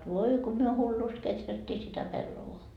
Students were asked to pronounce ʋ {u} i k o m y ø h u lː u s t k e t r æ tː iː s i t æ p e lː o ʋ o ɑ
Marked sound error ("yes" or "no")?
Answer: yes